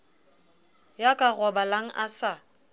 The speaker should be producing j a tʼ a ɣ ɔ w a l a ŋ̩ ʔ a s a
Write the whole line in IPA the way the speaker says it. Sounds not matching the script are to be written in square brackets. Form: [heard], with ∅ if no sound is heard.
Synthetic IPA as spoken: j a [kʼ] a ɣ ɔ [b] a l a ŋ̩ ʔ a s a